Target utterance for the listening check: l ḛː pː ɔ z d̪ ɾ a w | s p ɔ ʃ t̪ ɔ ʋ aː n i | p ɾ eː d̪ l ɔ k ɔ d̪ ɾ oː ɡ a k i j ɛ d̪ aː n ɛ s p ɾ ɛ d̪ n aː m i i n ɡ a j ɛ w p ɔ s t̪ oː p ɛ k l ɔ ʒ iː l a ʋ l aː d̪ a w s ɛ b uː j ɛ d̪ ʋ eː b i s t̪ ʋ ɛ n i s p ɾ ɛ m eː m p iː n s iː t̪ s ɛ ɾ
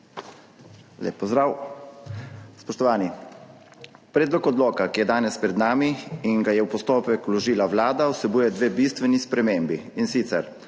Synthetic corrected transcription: l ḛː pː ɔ z d̪ ɾ a w | s p ɔ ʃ t̪ ɔ ʋ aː n i | p ɾ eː d̪ l ɔ k ɔ d̪ l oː k a k i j ɛ d̪ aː n ɛ s p ɾ ɛ d̪ n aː m i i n ɡ a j ɛ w p ɔ s t̪ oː p ɛ k l ɔ ʒ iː l a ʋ l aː d̪ a w s ɛ b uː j ɛ d̪ ʋ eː b i s t̪ ʋ ɛ n i s p ɾ ɛ m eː m b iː n s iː t̪ s ɛ ɾ